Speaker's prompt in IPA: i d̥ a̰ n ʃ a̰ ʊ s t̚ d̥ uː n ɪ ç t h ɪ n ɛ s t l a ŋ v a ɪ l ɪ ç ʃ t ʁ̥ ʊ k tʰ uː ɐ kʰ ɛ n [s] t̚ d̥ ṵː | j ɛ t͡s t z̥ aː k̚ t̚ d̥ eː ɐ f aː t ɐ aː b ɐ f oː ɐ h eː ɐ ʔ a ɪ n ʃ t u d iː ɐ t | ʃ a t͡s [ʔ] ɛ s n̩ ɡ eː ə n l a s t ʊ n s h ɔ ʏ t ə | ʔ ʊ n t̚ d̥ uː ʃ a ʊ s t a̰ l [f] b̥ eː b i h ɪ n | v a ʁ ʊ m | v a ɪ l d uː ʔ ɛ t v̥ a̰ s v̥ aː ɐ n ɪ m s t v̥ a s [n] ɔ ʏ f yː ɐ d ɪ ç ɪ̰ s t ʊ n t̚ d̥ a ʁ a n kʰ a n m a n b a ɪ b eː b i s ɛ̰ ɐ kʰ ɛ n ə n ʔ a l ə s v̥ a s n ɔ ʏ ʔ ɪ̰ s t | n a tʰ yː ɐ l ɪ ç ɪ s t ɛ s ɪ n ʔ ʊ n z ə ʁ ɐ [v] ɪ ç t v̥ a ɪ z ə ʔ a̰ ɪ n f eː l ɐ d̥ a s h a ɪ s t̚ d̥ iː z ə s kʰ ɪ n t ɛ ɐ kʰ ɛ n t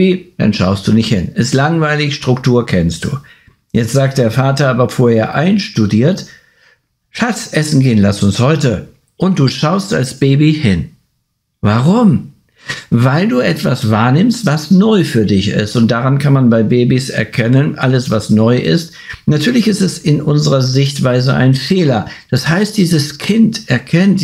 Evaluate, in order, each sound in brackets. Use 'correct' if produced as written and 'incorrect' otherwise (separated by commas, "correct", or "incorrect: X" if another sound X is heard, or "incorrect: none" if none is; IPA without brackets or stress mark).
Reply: correct, correct, incorrect: s, correct, incorrect: z